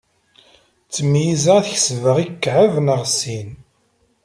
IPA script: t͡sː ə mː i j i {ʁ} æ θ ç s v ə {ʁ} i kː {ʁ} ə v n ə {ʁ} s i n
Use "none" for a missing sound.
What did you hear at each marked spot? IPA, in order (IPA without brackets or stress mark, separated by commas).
z, ʁ, ʕ, ʁ